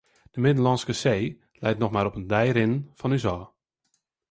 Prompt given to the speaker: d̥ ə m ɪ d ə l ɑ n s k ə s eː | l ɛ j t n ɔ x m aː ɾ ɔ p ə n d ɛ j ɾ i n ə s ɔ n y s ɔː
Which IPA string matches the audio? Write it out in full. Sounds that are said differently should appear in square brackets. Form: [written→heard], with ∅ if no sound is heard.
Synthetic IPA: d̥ ə m ɪ d ə l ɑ n s k ə s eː | l ɛ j t n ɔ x m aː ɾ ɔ p ə n d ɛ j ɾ [i→ɪ] n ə [s→f] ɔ n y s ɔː

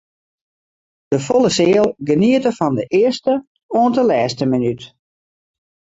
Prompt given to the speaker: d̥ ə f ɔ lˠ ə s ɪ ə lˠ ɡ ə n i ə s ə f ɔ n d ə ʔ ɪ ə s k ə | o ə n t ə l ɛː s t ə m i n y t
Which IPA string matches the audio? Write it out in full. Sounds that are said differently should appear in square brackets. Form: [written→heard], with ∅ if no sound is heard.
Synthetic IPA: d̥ ə f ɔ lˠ ə s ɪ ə lˠ ɡ ə n i ə [s→t] ə f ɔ n d ə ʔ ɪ ə s [k→t] ə | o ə n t ə l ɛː s t ə m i n y t

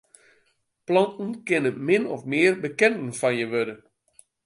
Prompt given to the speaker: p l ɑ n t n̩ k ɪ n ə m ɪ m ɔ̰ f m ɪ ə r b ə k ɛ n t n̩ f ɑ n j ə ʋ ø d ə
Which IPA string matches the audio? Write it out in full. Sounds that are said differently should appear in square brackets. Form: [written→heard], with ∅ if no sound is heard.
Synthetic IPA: p l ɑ n t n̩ k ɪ n ə m ɪ [m→n] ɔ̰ f m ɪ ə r b ə k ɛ n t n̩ f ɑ n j ə ʋ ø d ə

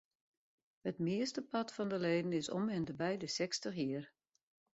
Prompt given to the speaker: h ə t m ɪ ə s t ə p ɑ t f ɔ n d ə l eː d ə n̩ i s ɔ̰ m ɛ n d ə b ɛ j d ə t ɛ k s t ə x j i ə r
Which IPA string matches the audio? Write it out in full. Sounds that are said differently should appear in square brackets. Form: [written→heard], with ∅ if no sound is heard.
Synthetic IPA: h ə t m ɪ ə s t ə p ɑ t f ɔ n d ə l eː d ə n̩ [i→ɪ] s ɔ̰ m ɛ n d ə b ɛ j d ə [t→s] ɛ k s t ə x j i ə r

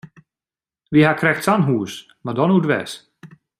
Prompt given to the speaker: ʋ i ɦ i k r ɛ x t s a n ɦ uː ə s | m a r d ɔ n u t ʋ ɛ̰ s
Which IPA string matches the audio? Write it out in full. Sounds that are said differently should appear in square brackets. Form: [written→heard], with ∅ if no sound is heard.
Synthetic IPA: ʋ i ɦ [i→a] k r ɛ x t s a n ɦ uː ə s | m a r d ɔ n u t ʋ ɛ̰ s

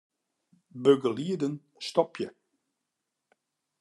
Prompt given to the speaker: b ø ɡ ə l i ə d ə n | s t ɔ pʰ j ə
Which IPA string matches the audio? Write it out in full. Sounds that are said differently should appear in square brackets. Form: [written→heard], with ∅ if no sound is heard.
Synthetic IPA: b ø ɡ ə l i ə d ə n | s t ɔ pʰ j ə

